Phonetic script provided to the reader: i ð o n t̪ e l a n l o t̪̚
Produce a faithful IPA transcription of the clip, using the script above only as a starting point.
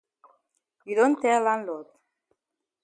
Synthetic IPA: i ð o n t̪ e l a n l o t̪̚